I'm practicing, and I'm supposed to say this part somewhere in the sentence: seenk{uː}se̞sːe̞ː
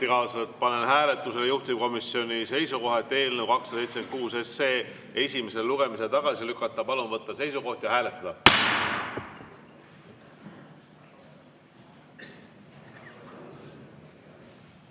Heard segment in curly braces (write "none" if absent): uː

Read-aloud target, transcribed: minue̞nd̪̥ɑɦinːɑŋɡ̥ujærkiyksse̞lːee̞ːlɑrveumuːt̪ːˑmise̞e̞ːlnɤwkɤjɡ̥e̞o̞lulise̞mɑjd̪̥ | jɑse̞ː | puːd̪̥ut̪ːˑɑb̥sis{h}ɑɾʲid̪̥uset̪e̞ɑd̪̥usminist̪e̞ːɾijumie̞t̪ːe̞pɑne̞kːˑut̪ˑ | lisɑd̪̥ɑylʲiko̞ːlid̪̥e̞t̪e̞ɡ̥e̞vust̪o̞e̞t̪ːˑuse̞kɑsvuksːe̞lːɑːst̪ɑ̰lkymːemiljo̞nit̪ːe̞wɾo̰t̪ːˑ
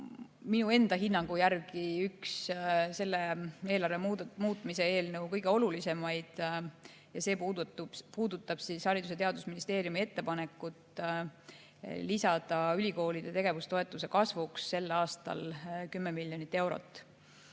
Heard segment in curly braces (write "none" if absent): h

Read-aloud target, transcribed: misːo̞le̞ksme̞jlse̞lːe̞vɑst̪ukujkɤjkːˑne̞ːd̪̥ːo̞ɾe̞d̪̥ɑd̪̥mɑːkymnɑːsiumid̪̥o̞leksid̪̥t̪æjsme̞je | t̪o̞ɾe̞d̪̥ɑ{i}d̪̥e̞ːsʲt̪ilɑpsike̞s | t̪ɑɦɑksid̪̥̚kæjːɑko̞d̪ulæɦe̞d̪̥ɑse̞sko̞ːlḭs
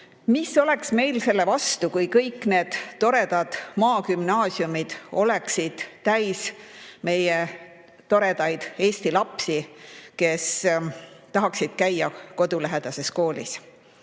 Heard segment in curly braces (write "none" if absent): j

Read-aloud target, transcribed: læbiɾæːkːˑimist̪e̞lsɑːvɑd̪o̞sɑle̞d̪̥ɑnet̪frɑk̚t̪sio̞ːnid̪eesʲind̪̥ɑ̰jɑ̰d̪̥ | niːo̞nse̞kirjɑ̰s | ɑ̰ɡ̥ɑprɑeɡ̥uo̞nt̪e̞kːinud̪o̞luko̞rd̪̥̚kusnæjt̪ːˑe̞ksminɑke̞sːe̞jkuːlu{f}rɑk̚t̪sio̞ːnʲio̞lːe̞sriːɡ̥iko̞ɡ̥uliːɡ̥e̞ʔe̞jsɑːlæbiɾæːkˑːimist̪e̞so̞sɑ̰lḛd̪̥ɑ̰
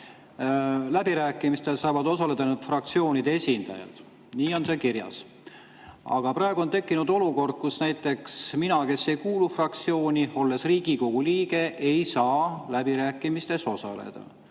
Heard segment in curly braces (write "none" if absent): f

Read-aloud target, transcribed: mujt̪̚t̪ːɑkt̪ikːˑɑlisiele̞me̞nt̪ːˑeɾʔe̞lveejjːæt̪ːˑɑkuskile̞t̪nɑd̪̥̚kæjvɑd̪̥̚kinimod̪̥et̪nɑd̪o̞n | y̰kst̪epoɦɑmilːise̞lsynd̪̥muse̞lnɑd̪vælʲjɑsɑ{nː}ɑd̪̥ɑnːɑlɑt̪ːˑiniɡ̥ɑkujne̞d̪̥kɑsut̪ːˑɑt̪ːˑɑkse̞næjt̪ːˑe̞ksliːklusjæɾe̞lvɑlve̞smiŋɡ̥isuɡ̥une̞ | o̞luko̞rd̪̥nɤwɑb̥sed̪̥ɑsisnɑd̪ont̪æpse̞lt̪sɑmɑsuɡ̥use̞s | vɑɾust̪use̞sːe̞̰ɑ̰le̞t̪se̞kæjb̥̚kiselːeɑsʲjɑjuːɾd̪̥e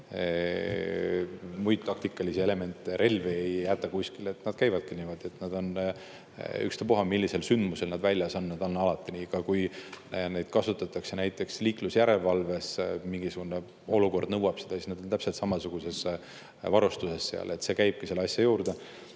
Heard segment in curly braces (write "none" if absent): nː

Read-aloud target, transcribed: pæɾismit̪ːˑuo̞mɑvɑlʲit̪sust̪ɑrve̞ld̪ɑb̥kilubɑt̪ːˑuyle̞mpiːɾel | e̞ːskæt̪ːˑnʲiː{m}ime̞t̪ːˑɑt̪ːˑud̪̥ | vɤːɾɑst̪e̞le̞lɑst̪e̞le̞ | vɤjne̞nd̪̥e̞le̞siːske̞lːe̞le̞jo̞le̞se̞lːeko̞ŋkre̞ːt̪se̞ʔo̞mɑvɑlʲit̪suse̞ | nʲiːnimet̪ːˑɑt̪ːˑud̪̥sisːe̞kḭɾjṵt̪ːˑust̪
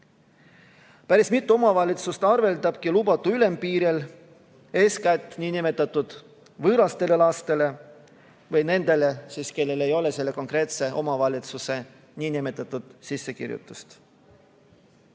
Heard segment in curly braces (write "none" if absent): n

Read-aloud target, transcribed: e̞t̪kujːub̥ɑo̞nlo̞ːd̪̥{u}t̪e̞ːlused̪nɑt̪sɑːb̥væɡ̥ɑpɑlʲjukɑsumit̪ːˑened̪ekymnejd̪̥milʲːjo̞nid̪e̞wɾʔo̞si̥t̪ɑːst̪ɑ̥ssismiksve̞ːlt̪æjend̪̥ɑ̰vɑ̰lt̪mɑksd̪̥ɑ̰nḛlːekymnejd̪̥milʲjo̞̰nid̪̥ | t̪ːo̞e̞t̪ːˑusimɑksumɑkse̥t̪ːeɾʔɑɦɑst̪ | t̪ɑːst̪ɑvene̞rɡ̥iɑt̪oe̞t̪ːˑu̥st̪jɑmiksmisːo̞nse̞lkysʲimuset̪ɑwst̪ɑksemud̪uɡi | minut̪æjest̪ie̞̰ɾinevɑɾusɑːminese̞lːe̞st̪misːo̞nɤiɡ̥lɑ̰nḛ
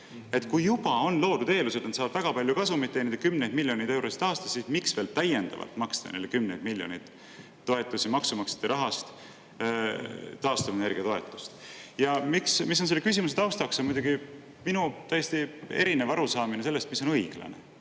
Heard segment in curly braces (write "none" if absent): u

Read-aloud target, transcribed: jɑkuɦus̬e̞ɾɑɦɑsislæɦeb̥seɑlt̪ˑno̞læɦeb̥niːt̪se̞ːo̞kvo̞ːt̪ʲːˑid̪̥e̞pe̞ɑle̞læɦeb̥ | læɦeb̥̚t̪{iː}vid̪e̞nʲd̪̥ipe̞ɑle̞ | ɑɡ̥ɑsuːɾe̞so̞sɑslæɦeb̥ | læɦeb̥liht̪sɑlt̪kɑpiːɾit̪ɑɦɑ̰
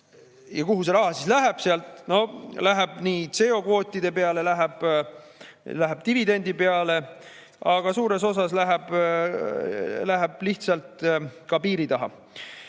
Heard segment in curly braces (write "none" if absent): i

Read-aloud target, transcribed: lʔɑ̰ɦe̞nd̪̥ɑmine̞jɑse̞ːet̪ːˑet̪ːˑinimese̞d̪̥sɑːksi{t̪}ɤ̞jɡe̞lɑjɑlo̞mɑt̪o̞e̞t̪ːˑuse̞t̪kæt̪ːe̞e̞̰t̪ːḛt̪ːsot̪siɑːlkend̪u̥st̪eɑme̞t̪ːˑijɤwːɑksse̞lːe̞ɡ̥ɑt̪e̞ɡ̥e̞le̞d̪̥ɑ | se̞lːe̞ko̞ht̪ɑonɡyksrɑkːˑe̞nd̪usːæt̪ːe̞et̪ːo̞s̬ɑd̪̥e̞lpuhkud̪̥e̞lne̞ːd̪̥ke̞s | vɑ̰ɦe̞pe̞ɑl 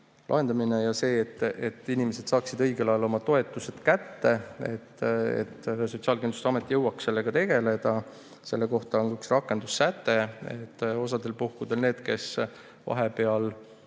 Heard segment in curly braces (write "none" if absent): d̪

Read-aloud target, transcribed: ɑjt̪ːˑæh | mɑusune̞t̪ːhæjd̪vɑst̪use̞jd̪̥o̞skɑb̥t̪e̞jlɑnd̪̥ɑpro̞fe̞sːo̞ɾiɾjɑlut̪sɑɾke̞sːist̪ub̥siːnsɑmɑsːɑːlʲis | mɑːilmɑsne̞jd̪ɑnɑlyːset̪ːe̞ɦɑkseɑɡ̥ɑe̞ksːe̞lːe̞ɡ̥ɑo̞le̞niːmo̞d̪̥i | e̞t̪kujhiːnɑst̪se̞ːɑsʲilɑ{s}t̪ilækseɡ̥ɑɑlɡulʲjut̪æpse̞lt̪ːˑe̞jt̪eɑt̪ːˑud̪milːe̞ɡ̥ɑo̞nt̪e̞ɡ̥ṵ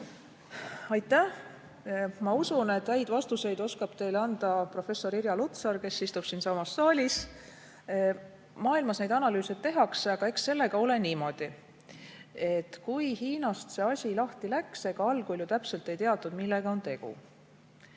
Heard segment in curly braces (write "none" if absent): h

